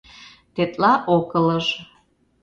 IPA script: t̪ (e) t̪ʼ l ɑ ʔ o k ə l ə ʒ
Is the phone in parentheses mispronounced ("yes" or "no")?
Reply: no